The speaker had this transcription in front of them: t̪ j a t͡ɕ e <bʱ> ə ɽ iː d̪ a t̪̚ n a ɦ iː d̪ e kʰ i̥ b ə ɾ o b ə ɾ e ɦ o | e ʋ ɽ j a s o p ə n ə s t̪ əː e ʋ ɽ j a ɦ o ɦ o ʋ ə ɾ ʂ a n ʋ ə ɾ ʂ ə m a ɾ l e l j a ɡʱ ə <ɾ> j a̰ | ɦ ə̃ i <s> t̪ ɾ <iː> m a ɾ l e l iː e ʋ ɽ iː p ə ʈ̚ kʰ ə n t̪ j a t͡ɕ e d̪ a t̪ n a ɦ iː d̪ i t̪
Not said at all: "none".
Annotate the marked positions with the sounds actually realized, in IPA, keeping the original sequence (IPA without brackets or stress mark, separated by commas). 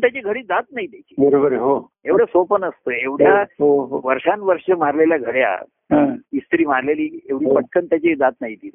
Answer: ɡʱ, ɽ, s, iː